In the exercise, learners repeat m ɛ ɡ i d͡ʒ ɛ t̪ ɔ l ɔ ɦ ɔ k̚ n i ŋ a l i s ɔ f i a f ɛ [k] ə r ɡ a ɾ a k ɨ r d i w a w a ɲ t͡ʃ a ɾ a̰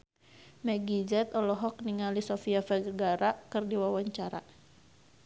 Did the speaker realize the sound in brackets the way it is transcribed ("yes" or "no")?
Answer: no